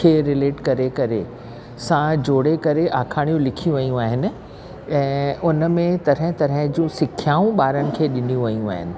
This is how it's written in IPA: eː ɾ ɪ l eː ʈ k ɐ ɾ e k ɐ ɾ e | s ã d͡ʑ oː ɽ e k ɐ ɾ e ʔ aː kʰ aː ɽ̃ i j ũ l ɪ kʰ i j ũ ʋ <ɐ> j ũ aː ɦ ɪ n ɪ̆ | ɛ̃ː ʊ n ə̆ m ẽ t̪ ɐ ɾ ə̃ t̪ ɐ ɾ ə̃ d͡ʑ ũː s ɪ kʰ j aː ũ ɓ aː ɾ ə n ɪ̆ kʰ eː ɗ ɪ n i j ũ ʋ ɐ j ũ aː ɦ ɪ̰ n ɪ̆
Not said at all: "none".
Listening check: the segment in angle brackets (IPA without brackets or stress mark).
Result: ɐ